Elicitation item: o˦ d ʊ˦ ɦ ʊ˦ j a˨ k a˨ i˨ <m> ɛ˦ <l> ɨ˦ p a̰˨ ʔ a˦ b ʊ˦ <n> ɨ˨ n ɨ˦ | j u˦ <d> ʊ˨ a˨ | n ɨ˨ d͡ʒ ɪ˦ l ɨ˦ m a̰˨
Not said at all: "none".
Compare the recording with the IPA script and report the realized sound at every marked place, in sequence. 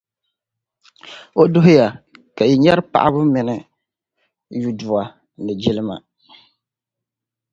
ɲ, ɾ, m, d

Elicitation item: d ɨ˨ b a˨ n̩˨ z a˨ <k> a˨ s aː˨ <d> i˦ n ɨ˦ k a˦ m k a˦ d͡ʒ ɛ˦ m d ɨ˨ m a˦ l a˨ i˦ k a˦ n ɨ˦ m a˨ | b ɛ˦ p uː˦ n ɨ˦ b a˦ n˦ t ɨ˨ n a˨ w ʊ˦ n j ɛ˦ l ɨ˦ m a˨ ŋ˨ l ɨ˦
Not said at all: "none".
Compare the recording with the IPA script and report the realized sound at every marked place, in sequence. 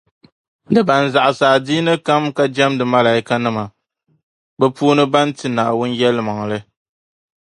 ʔ, d

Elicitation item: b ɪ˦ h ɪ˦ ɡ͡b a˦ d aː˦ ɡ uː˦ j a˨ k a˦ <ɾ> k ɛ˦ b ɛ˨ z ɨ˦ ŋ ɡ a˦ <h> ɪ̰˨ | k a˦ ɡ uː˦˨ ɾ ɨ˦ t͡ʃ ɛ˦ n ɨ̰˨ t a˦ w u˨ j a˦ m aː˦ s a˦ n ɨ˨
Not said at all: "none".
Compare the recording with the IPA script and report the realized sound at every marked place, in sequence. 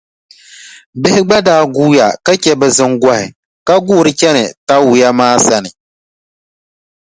none, h

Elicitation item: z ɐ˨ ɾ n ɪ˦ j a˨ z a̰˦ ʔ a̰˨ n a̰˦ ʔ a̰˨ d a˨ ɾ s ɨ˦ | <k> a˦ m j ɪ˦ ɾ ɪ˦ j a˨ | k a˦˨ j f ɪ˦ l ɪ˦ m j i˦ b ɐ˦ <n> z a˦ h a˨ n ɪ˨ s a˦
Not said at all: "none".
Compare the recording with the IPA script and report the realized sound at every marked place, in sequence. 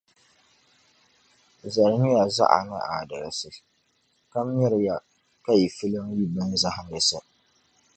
k, n

